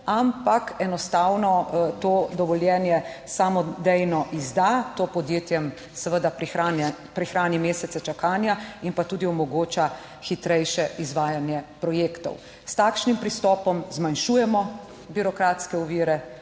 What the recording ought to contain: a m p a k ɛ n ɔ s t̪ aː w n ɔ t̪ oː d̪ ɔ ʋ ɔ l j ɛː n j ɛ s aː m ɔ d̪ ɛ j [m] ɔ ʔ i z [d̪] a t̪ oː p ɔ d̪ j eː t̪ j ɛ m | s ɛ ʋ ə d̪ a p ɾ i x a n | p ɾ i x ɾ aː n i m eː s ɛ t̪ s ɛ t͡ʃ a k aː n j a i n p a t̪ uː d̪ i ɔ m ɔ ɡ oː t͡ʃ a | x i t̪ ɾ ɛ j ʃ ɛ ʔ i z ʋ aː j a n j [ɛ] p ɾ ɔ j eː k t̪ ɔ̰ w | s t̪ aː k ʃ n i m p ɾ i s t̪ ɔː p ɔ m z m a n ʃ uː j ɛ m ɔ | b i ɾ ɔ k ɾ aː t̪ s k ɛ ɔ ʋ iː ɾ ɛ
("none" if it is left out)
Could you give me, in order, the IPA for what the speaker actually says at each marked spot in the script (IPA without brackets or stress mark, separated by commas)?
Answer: n, d̪, ɛ